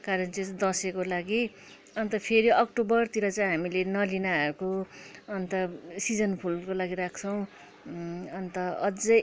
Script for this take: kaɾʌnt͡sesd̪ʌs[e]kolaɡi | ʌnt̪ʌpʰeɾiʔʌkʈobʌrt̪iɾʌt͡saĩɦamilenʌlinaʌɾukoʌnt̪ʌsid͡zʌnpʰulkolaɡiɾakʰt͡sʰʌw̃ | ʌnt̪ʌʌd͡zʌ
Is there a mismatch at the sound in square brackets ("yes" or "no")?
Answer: no